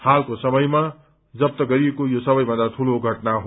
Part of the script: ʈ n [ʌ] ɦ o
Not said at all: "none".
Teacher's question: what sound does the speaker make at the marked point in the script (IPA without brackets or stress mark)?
a